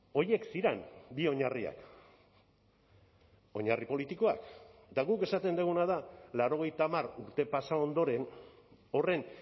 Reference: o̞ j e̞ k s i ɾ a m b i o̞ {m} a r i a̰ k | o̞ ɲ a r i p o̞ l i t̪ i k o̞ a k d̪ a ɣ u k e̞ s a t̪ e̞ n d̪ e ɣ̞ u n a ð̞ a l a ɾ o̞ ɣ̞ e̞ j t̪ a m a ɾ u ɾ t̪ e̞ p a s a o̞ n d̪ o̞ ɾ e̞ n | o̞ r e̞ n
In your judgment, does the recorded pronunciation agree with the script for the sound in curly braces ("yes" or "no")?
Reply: no